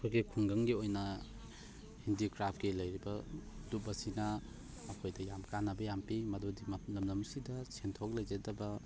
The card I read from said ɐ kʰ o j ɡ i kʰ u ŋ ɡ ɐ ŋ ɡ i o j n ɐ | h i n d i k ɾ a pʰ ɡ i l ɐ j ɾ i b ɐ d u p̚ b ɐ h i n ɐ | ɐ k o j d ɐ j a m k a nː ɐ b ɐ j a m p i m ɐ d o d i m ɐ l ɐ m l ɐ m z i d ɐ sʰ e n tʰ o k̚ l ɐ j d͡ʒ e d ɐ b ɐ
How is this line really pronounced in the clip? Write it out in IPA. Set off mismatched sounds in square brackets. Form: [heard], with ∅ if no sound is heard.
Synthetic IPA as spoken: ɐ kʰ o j ɡ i kʰ u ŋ ɡ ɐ ŋ ɡ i o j n ɐ | h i n d i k ɾ a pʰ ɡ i l ɐ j ɾ i b ɐ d u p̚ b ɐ [s] i n ɐ | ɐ [kʰ] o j d ɐ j a m k a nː ɐ b ɐ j a m p i m ɐ d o d i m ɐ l ɐ m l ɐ m [s] i d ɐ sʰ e n tʰ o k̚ l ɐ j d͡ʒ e d ɐ b ɐ

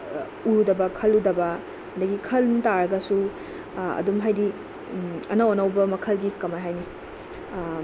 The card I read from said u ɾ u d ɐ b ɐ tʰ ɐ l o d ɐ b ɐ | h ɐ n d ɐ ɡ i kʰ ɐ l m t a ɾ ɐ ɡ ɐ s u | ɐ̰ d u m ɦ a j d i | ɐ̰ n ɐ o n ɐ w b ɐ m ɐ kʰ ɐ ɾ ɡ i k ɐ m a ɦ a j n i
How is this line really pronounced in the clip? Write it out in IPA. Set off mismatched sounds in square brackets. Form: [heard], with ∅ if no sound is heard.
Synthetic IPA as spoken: u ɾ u d ɐ b ɐ [kʰ] ɐ l [u] d ɐ b ɐ | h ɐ n d ɐ ɡ i kʰ ɐ l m t a ɾ ɐ ɡ ɐ s u | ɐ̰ d u m ɦ a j d i | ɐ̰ n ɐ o n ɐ w b ɐ m ɐ kʰ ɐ [l] ɡ i k ɐ m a ɦ a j n i

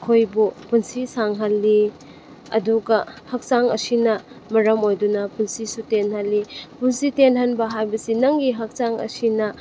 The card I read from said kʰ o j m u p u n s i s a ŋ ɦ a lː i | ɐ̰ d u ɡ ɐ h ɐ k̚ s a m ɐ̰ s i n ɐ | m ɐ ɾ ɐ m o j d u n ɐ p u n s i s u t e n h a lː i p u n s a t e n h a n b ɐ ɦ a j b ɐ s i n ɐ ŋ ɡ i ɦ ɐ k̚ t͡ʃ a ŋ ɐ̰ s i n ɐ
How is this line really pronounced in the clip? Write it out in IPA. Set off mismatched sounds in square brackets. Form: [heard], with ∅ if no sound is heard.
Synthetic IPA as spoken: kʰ o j [b] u p u n s i s a ŋ ɦ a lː i | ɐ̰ d u ɡ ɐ h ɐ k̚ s a [ŋ] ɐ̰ s i n ɐ | m ɐ ɾ ɐ m o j d u n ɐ p u n s i s u t e n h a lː i p u n s [i] t e n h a n b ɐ ɦ a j b ɐ s i n ɐ ŋ ɡ i ɦ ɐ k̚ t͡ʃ a ŋ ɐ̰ s i n ɐ

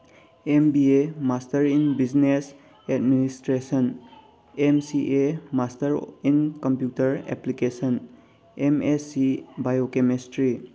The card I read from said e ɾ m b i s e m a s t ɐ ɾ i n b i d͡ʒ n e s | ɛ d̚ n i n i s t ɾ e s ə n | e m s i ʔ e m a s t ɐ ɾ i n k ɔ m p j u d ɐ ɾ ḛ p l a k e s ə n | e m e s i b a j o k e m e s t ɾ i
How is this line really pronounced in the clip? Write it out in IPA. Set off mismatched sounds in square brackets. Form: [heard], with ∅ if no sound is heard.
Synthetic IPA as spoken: e [∅] m b i [∅] e m a s t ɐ ɾ i n b i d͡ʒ n e s | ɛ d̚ [m] i n i s t ɾ e s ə n | e m s i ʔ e m a s t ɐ ɾ i n k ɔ m p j u [t] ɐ ɾ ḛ p l [i] k e s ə n | e m e s i b a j o k e m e s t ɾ i

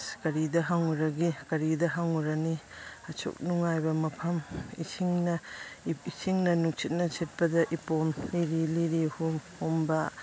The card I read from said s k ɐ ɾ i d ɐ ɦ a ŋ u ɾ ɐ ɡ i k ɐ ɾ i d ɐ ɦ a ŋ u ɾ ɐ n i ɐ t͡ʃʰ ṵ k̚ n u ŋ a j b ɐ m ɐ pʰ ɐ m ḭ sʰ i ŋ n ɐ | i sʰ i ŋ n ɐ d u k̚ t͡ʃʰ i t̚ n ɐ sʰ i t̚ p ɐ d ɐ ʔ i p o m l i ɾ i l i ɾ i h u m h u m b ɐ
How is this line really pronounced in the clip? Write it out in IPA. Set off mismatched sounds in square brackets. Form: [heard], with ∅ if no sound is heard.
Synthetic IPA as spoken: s k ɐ ɾ i d ɐ ɦ a ŋ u ɾ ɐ ɡ i k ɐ ɾ i d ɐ ɦ a ŋ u ɾ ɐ n i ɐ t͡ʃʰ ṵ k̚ n u ŋ a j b ɐ m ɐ pʰ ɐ m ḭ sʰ i ŋ n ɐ | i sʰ i ŋ n ɐ [n] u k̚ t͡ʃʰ i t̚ n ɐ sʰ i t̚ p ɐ d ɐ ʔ i p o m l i ɾ i l i ɾ i h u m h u m b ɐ

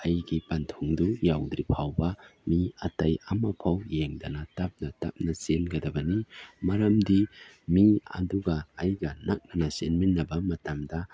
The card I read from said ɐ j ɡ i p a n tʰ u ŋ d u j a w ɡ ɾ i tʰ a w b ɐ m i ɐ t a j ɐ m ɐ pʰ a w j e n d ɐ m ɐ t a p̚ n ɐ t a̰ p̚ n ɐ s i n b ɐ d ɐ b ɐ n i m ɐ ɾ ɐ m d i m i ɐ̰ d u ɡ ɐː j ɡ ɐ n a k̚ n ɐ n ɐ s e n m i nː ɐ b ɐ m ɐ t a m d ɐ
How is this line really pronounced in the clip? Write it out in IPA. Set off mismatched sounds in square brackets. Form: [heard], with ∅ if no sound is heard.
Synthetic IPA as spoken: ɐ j ɡ i p a n tʰ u ŋ d u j a w [d] ɾ i [pʰ] a w b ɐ m i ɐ t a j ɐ m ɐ pʰ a w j e [ŋ] d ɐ [n] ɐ t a p̚ n ɐ t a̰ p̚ n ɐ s [e] n [ɡ] ɐ d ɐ b ɐ n i m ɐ ɾ ɐ m d i m i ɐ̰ d u ɡ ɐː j ɡ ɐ n a k̚ n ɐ n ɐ s e n m i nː ɐ b ɐ m ɐ t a m d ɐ

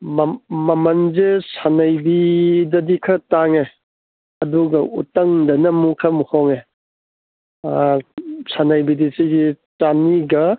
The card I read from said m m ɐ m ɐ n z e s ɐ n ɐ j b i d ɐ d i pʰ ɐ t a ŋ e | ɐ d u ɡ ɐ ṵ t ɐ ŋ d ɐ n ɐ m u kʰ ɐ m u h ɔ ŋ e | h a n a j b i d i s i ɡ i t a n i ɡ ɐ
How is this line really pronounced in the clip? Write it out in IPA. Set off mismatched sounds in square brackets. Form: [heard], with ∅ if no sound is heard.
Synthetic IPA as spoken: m m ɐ m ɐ n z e s [a] n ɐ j b i d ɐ d i [kʰ] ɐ t a ŋ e | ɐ d u ɡ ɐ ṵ t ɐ ŋ d ɐ n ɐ m u kʰ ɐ m u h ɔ ŋ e | [s] a n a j b i d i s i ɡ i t a n i ɡ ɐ

